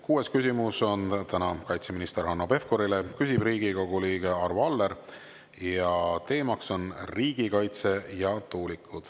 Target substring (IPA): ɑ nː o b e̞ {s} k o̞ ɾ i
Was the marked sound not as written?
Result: yes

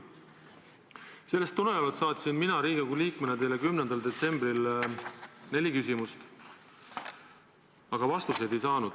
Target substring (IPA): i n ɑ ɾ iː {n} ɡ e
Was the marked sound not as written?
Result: yes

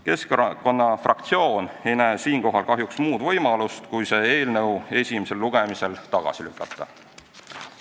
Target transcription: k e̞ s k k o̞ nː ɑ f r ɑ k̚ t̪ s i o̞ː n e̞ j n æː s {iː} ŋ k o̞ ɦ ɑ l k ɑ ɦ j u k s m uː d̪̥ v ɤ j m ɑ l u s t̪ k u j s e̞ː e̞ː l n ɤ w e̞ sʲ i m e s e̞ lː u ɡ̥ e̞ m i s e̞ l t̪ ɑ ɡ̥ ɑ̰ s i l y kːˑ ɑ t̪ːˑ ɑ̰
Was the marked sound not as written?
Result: no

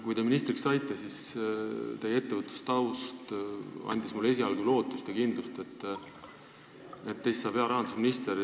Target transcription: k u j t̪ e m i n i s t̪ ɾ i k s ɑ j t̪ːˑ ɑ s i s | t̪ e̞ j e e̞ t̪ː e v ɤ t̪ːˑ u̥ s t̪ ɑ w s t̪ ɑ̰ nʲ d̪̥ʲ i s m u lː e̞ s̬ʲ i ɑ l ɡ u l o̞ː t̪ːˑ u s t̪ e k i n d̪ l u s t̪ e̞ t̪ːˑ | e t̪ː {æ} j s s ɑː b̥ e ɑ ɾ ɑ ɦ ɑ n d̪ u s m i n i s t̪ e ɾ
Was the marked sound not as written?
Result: yes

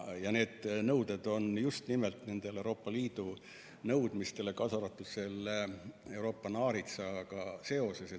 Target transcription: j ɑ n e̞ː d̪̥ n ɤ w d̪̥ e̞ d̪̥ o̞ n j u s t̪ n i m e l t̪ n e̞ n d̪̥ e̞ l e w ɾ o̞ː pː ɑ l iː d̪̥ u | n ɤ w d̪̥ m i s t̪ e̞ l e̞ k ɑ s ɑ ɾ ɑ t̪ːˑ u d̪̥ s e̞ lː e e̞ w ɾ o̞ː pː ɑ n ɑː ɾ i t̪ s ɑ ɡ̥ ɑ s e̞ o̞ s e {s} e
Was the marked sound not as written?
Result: no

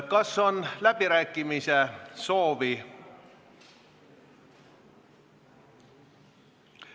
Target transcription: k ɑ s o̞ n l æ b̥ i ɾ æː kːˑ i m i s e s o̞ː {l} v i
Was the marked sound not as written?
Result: yes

